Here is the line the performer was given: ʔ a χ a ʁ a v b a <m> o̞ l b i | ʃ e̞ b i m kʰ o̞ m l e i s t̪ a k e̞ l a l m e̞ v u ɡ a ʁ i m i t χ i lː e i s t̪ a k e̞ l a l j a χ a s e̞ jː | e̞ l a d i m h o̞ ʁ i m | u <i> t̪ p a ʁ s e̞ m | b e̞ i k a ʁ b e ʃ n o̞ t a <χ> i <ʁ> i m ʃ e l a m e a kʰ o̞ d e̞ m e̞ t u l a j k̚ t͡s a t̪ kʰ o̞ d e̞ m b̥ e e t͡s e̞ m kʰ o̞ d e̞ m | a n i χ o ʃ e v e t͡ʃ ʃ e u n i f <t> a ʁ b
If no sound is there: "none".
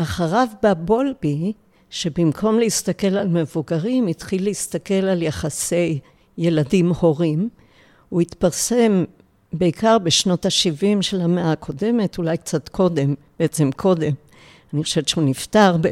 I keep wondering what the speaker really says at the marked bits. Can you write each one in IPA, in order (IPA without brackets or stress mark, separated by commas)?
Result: b, i, ʃ, v, t